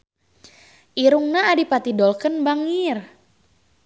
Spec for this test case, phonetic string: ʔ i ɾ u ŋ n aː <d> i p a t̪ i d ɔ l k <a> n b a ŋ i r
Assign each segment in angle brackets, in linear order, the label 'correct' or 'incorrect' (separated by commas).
correct, incorrect